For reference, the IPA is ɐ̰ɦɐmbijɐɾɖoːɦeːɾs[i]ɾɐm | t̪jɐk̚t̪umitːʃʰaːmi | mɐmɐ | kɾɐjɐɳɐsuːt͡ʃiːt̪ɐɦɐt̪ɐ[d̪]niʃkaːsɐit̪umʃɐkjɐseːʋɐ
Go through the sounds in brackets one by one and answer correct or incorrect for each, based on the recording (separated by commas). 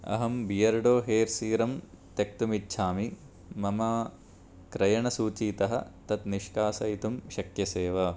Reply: incorrect, incorrect